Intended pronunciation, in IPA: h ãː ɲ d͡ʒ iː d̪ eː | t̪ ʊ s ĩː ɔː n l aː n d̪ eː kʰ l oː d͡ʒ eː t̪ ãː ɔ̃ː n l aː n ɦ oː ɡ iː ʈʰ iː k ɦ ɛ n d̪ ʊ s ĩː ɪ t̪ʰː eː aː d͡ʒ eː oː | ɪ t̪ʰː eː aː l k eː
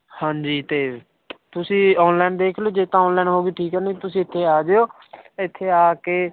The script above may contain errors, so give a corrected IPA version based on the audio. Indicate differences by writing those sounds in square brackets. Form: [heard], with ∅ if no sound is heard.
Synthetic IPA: h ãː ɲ d͡ʒ iː [t̪] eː | t̪ ʊ s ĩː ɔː n l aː n d̪ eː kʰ l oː d͡ʒ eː t̪ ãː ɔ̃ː n l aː n ɦ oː ɡ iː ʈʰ iː k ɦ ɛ n [t̪] ʊ s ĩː ɪ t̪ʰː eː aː d͡ʒ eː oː | ɪ t̪ʰː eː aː [∅] k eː